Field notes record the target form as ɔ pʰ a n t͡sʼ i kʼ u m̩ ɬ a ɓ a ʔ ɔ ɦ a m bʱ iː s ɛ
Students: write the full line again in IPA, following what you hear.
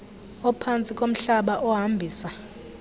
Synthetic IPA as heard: ɔ pʰ a n t͡sʼ i kʼ o m̩ ɬ a ɓ a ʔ ɔ ɦ a m bʱ iː s a